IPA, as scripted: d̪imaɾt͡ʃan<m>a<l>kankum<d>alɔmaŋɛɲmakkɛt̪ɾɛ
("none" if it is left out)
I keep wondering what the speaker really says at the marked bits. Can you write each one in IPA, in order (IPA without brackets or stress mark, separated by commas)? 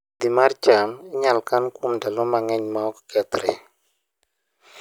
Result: ɲ, l, d